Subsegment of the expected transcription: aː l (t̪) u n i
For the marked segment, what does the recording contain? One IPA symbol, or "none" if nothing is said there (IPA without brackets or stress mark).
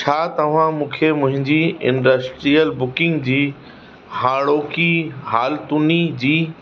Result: t̪